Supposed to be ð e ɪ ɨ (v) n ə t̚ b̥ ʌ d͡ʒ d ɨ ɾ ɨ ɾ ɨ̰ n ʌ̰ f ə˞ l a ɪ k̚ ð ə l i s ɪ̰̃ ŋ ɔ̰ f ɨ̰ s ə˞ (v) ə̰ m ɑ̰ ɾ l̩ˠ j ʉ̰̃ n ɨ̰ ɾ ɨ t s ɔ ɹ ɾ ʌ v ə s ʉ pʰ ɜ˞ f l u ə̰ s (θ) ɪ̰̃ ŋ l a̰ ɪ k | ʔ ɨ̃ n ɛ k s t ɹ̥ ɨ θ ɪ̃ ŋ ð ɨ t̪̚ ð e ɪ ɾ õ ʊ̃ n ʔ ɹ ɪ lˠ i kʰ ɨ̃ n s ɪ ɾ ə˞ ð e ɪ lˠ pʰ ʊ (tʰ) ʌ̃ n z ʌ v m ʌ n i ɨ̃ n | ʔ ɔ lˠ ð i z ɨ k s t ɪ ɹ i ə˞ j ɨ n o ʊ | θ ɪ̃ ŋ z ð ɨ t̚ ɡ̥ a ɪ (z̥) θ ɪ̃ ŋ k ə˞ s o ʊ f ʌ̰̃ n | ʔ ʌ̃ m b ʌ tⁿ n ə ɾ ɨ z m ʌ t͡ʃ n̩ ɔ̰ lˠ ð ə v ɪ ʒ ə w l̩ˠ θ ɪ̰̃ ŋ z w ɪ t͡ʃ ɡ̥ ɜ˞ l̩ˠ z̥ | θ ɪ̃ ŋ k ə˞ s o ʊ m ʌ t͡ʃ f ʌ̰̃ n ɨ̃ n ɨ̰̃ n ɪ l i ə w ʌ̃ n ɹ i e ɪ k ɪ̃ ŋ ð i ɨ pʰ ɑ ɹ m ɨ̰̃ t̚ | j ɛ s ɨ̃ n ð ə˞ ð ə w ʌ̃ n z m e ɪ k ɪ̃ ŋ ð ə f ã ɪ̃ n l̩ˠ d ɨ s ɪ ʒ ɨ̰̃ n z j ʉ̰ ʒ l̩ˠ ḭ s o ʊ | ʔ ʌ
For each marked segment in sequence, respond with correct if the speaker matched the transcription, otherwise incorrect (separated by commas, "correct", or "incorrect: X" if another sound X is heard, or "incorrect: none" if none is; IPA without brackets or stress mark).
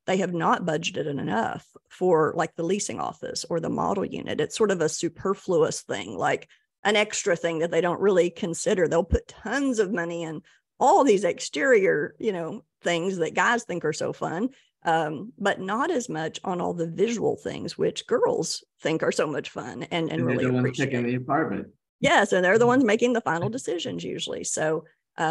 correct, incorrect: ð, correct, correct, correct